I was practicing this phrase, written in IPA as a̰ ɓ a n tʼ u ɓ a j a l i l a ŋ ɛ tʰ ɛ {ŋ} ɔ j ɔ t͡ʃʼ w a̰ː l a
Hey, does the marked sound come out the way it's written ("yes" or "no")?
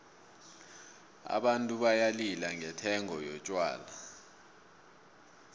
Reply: yes